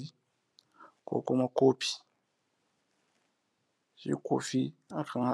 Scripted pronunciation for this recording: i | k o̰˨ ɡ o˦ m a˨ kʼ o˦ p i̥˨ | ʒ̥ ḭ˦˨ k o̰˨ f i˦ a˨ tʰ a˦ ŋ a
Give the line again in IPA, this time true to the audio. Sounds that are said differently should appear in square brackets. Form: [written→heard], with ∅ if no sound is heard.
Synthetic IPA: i | k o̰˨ [ɡ→k] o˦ m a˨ [kʼ→k] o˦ p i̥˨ | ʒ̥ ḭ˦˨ k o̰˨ f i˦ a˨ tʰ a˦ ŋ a